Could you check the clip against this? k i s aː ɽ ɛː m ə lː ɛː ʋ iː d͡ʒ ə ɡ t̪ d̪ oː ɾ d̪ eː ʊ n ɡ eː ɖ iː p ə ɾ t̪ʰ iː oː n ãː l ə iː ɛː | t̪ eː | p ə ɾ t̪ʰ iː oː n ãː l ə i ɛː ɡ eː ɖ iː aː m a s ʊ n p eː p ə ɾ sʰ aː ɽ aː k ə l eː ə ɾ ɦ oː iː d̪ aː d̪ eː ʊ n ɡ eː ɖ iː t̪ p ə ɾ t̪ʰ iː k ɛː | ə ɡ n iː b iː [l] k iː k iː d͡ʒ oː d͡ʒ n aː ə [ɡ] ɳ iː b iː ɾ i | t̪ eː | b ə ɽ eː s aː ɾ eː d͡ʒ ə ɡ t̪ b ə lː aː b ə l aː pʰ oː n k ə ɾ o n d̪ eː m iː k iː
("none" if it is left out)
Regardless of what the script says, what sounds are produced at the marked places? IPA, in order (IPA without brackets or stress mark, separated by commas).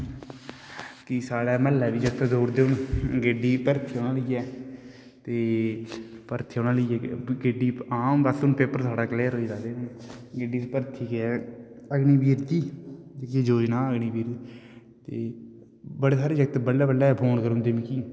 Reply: ɾ, ɡ